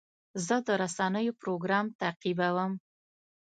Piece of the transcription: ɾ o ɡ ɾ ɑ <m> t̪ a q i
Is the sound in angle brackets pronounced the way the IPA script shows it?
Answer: yes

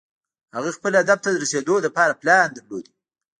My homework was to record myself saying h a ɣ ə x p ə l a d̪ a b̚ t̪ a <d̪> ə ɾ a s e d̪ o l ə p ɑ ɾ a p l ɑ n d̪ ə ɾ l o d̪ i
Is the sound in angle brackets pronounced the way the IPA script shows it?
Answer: yes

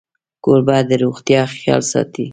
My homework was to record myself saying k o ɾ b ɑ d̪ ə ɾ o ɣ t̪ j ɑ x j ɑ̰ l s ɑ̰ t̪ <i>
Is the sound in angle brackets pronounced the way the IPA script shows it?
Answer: yes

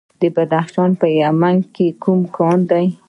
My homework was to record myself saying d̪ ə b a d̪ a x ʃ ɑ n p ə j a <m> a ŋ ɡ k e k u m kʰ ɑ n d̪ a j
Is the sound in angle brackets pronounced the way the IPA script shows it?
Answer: yes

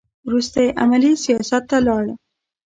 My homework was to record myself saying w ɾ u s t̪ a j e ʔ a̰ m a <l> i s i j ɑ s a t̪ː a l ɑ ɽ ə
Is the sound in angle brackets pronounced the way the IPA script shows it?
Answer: yes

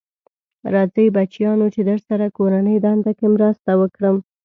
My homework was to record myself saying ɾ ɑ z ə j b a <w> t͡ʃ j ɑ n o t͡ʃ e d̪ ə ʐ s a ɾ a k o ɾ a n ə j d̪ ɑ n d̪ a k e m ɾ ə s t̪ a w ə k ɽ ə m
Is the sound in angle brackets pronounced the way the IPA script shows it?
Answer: no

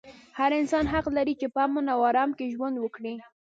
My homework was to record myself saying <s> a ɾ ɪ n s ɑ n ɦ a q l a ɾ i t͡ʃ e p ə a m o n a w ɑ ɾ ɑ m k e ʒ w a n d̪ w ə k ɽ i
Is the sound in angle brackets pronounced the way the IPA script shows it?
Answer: no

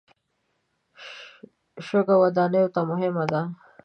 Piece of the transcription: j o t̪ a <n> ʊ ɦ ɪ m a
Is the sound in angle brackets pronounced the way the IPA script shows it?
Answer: no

